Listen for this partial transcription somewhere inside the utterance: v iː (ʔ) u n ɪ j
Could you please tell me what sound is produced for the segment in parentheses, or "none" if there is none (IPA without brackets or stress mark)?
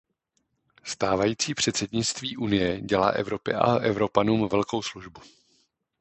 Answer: ʔ